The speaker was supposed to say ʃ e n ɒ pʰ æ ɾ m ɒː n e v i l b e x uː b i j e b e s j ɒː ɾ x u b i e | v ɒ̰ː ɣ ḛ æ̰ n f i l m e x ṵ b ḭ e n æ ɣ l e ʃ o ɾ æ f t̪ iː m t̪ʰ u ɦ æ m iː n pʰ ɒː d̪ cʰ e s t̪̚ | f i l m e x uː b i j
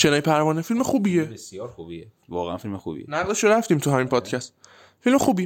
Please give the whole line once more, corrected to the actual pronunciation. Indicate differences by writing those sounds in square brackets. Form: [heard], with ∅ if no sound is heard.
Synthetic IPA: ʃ e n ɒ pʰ æ ɾ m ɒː n e [f] i l [m] e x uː b i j e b e s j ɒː ɾ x u b i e | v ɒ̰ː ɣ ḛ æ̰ n f i l m e x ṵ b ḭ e n æ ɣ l e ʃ o ɾ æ f t̪ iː m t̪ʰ u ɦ æ m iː n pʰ ɒː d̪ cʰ [æ] s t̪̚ | f i l m e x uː b i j